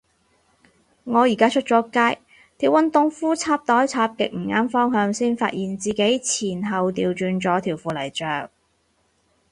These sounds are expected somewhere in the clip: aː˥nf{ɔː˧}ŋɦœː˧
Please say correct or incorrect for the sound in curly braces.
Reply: incorrect